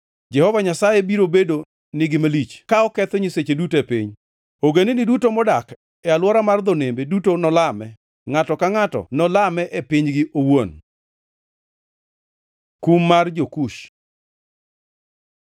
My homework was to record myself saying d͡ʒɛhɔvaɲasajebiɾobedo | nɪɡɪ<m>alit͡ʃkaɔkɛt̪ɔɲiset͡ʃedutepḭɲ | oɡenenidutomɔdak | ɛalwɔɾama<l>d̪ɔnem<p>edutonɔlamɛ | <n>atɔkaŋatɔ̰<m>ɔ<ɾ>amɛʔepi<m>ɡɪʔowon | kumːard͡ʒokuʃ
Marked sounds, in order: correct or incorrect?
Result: correct, incorrect: r, incorrect: b, incorrect: ŋ, incorrect: n, incorrect: l, incorrect: ɲ

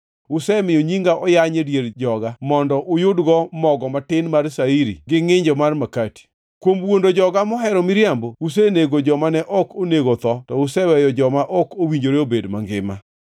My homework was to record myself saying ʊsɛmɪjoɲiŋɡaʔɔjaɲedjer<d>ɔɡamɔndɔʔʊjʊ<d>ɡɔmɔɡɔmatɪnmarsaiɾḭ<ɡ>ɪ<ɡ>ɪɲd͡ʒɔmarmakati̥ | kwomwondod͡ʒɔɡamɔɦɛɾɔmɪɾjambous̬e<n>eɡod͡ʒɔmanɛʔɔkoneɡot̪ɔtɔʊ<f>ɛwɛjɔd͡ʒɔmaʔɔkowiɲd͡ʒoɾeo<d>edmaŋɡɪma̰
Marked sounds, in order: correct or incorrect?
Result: incorrect: d͡ʒ, correct, correct, incorrect: ŋ, correct, incorrect: s, incorrect: b

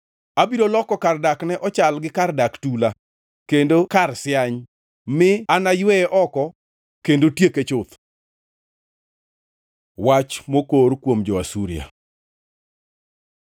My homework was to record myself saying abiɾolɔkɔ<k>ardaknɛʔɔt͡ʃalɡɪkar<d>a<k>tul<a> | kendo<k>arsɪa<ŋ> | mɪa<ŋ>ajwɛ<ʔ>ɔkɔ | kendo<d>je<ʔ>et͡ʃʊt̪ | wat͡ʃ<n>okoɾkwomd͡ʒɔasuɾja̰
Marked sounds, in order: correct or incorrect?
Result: correct, correct, correct, correct, correct, incorrect: ɲ, incorrect: n, correct, incorrect: t, incorrect: k, incorrect: m

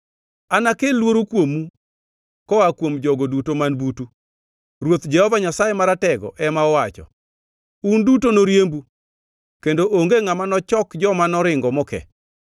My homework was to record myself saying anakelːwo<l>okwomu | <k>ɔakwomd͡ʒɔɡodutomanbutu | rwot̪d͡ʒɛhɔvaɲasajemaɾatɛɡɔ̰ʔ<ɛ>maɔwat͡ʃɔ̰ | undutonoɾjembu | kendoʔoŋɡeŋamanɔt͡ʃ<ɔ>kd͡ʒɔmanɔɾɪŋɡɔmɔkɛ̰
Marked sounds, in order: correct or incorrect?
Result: incorrect: ɾ, correct, correct, correct

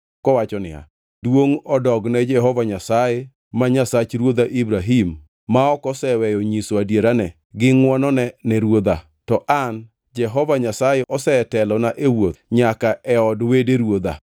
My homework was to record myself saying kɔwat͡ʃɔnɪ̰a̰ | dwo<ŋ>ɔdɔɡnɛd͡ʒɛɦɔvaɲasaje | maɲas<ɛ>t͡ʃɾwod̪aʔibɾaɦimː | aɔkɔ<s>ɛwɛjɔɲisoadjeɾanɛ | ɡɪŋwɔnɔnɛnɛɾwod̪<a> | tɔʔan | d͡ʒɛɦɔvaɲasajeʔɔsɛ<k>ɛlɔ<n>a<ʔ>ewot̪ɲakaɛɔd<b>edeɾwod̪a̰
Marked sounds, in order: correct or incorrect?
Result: correct, incorrect: a, correct, correct, incorrect: t, correct, correct, incorrect: w

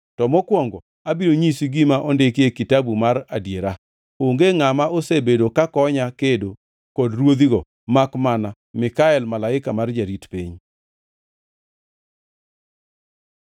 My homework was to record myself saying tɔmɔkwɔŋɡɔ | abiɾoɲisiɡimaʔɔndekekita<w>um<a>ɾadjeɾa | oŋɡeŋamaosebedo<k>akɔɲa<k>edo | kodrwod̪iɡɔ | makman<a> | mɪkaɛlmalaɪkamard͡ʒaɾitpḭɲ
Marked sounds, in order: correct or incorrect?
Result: incorrect: b, correct, correct, correct, correct

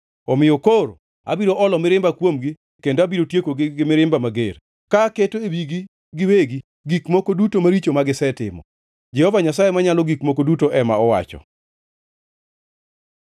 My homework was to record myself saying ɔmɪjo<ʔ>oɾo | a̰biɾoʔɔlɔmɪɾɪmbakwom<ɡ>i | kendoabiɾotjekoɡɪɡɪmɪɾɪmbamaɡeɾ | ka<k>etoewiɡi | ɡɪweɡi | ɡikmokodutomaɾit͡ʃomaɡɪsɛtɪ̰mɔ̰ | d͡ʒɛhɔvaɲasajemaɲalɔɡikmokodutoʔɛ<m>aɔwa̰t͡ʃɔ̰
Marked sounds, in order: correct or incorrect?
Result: incorrect: k, correct, correct, correct

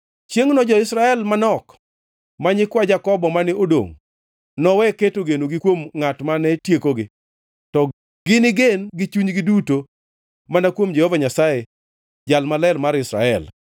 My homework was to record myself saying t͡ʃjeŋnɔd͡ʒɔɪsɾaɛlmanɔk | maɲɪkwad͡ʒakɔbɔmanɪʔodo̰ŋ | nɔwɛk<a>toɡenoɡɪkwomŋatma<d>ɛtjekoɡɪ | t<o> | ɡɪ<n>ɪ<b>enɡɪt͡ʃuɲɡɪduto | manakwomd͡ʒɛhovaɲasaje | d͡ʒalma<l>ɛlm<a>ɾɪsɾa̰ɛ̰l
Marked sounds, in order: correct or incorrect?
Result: incorrect: e, incorrect: n, incorrect: ɔ, correct, incorrect: ɡ, correct, correct

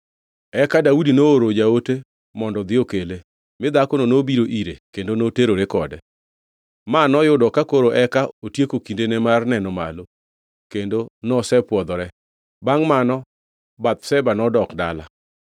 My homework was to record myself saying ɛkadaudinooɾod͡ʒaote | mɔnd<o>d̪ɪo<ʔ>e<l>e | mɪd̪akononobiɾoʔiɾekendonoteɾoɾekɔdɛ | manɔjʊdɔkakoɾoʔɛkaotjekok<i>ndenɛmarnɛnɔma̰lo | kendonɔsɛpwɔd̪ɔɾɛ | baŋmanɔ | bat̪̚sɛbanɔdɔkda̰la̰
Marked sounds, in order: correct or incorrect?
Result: incorrect: ɔ, incorrect: k, correct, correct

